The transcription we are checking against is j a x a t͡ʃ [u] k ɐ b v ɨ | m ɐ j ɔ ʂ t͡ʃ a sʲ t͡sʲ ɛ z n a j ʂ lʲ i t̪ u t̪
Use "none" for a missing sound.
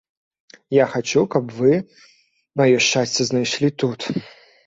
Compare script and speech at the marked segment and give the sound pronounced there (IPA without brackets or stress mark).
u